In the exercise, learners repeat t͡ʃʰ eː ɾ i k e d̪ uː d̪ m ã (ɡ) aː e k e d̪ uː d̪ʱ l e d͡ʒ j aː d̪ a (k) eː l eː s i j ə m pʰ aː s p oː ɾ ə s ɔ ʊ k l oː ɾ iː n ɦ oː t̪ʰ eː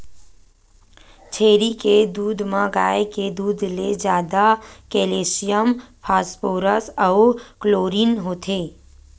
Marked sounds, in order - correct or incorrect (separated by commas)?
correct, correct